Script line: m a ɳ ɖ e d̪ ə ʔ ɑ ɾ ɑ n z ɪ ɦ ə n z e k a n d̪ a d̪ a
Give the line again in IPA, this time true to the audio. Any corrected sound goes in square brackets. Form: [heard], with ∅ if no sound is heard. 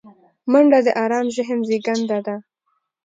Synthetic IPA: m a ɳ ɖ [a] d̪ ə ʔ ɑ ɾ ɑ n [ʒ] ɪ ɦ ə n z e [ɡ] a n d̪ a d̪ a

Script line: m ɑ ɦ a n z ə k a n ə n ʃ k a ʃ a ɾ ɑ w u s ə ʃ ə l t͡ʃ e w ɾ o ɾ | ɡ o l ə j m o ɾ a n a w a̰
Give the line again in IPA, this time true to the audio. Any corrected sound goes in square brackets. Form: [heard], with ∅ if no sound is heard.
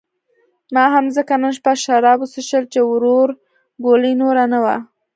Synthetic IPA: m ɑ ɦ a [m] z ə k a n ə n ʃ [p] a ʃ a ɾ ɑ [b] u s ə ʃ ə l t͡ʃ e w ɾ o ɾ | ɡ o l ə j [n] o ɾ a n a w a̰

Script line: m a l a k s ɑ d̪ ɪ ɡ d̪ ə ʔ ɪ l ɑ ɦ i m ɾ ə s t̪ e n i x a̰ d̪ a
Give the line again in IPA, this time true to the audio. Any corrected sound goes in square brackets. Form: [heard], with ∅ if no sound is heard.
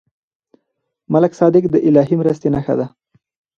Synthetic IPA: m a l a k s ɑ d̪ ɪ [k] d̪ ə ʔ ɪ l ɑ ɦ i m ɾ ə s t̪ e n [a] x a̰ d̪ a

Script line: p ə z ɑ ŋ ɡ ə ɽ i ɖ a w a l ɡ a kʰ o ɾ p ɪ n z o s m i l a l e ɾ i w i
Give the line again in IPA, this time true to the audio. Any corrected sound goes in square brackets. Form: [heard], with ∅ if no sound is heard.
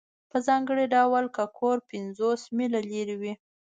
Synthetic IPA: p ə z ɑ ŋ ɡ ə ɽ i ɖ a w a l [k] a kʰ o ɾ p ɪ n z o s m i l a l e ɾ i w i

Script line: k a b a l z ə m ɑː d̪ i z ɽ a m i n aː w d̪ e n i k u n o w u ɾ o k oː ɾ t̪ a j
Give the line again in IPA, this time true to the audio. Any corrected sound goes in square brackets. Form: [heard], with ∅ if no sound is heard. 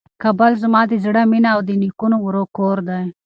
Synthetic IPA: k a b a l z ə m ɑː d̪ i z ɽ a m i n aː w d̪ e n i k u n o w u ɾ o k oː ɾ [d̪] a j

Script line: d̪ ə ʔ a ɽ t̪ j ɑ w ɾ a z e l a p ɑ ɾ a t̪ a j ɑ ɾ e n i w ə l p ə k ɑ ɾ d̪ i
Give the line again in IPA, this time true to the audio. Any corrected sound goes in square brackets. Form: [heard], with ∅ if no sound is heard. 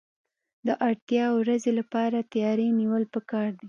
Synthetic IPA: d̪ ə ʔ a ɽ t̪ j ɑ w ɾ a z e l a p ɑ ɾ a t̪ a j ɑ ɾ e n i w ə l p ə k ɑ ɾ d̪ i

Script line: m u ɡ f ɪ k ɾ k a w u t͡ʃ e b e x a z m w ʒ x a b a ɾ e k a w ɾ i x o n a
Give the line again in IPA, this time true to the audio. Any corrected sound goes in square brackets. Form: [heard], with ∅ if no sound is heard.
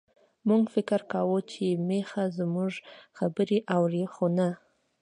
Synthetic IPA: m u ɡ f ɪ k ɾ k a w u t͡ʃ e [m] e x a z m [u] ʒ x a b [ə] ɾ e [ʔ] a w ɾ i x o n a

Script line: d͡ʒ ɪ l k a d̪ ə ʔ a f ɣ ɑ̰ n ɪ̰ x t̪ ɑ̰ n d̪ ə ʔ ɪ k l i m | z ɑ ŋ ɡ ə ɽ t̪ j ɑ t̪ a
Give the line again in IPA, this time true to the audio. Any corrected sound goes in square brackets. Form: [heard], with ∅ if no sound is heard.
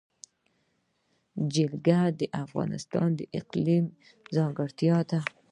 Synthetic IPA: d͡ʒ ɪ l [ɡ] a d̪ ə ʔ a f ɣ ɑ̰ n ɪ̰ [s] t̪ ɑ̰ n d̪ ə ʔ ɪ [q] l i m | z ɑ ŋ ɡ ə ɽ t̪ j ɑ t̪ a

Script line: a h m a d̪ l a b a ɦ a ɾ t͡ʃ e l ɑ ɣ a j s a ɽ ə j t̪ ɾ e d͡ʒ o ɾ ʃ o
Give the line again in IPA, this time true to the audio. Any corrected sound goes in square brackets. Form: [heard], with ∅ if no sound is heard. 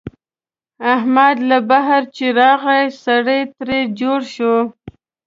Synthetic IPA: a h m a d̪ l a b a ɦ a ɾ t͡ʃ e [ɾ] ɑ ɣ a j s a ɽ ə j t̪ ɾ e d͡ʒ o [ɽ] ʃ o

